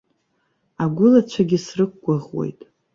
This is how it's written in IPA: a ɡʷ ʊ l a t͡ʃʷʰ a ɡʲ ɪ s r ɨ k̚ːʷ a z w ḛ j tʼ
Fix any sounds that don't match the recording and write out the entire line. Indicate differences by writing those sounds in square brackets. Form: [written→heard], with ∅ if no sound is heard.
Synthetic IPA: a ɡʷ ʊ l a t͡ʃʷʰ a ɡʲ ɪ s r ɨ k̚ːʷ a [z→ʁ] w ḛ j tʼ